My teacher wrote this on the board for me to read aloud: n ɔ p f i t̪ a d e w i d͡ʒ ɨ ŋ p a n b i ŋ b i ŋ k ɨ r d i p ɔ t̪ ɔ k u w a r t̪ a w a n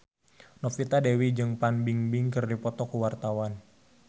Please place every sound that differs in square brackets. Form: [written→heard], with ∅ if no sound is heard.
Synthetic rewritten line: n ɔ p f i t̪ a d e w i d͡ʒ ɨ ŋ p a n b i ŋ b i ŋ k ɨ r d i p ɔ t̪ ɔ k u w a r t̪ a w a n